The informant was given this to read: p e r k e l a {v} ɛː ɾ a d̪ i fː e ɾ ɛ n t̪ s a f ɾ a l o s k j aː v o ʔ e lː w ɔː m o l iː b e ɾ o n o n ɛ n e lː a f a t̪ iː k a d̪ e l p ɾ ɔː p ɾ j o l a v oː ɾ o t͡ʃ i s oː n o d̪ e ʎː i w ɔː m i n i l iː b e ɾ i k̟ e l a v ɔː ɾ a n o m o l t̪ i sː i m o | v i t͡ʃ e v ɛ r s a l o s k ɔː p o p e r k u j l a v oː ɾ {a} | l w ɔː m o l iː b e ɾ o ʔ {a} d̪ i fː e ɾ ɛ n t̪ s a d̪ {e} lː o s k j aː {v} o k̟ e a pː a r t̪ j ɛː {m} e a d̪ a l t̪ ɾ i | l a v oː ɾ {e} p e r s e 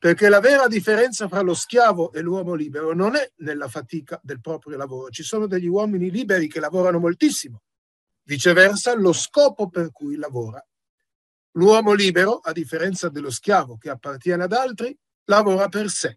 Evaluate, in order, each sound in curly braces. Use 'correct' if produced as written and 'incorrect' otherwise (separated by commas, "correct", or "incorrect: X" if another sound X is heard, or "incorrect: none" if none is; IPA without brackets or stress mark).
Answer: correct, correct, correct, correct, correct, incorrect: n, incorrect: a